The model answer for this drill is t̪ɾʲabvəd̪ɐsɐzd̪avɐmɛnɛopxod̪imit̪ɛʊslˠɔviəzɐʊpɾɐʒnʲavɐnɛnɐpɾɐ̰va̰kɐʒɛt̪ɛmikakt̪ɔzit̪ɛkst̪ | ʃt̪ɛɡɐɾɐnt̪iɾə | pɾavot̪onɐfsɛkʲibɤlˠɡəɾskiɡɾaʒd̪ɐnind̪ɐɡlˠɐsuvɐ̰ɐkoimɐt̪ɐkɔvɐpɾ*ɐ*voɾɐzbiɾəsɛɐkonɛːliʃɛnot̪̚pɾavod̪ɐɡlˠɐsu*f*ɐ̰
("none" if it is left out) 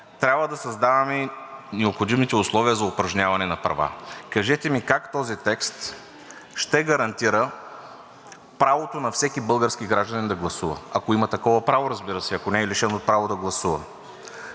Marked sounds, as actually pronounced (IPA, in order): a, v

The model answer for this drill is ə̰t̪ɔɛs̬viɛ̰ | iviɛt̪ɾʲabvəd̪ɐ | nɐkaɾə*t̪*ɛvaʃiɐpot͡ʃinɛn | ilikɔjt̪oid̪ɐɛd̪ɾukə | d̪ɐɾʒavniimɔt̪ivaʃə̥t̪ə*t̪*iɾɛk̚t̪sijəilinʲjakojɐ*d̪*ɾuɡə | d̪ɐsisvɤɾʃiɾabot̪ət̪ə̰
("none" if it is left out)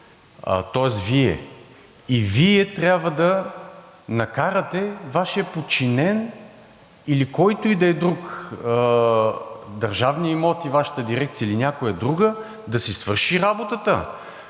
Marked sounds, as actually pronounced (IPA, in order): t̪, d̪, d̪

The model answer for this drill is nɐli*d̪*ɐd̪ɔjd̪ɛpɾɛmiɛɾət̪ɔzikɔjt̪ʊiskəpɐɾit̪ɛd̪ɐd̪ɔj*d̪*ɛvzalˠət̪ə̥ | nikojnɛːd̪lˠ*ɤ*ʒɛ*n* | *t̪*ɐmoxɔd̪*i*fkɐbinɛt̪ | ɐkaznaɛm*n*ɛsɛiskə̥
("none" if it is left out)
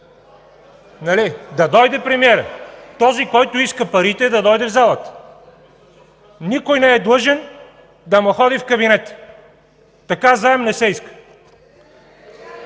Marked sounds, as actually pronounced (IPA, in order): d̪, d̪, ɤ, n, d̪, i, n

